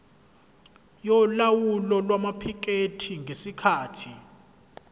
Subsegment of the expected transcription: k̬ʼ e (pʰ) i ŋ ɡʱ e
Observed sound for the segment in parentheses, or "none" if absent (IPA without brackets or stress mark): tʰ